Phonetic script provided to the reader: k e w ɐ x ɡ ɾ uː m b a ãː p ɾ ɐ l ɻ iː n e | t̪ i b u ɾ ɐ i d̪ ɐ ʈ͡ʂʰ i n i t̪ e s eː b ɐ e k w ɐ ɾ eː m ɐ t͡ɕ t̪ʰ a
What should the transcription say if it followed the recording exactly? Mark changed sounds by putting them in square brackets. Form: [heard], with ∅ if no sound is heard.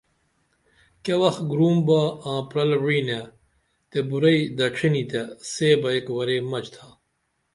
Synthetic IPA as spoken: k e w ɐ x ɡ ɾ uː m b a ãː p ɾ ɐ l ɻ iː n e | t̪ [e] b u ɾ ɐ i d̪ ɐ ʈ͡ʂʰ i n i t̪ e s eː b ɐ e k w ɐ ɾ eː m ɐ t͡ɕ t̪ʰ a